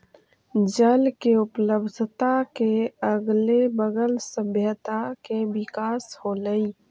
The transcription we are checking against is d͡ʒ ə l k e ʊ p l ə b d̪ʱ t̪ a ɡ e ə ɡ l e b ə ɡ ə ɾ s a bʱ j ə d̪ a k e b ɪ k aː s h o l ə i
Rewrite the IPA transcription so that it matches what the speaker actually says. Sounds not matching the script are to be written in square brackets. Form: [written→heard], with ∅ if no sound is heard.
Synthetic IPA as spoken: d͡ʒ ə l k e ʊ p l ə b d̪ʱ t̪ a [ɡ→k] e ə ɡ l e b ə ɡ ə [ɾ→l] s [a→ə] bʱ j ə [d̪→t̪] a k e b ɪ k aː s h o l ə i